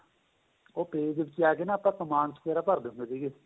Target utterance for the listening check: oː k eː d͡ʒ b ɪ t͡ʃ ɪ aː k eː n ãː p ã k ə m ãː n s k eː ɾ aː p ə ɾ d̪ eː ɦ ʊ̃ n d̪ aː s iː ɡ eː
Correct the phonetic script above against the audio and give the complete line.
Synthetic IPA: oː p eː d͡ʒ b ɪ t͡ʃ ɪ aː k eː n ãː p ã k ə m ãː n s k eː ɾ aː p ə ɾ d̪ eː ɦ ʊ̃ n d̪ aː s iː ɡ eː